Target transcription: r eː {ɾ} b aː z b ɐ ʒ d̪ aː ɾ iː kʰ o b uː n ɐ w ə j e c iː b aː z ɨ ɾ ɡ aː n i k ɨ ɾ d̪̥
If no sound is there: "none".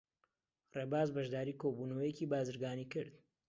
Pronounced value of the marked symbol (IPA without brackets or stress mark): none